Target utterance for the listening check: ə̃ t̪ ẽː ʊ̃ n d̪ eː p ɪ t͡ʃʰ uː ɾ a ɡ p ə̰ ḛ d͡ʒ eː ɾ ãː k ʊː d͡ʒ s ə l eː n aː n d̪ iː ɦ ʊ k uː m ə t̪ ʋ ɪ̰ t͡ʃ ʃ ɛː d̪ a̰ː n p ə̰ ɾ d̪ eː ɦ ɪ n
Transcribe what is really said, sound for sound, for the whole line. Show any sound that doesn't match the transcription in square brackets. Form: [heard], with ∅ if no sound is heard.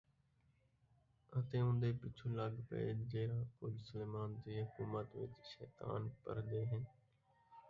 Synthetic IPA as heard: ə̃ t̪ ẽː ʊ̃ n d̪ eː p ɪ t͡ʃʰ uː [l] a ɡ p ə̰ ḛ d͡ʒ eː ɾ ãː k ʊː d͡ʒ s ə l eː [m] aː n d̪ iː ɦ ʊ k uː m ə t̪ ʋ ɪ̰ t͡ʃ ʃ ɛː [t̪] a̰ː n p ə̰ ɾ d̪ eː ɦ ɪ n

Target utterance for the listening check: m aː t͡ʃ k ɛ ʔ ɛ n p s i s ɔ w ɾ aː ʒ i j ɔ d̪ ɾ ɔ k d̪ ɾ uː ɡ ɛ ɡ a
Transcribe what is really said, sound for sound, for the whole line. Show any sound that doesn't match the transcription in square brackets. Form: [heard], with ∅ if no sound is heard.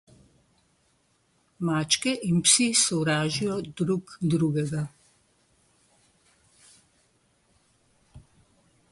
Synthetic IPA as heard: m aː t͡ʃ k ɛ ʔ [i] n p s i s ɔ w ɾ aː ʒ i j ɔ d̪ ɾ [u] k d̪ ɾ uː ɡ ɛ ɡ a

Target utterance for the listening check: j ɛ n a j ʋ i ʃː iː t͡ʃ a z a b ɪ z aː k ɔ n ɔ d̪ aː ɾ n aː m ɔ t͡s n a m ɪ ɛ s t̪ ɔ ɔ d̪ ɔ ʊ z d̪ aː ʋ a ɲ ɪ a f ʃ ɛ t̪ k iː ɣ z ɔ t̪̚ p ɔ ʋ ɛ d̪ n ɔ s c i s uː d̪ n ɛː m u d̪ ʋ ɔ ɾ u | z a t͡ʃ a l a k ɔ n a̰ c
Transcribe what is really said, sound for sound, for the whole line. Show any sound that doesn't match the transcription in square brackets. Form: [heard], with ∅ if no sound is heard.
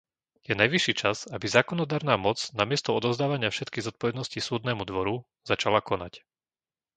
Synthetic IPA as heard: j ɛ n a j ʋ i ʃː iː t͡ʃ a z a b [i] z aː k ɔ n ɔ d̪ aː ɾ n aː m ɔ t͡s n a m ɪ ɛ s t̪ ɔ ɔ d̪ ɔ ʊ z d̪ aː ʋ a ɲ ɪ a f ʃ ɛ t̪ k iː ɣ z ɔ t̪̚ p ɔ ʋ ɛ d̪ n ɔ s c i s uː d̪ n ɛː m u d̪ ʋ ɔ ɾ u | z a t͡ʃ a l a k ɔ n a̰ c

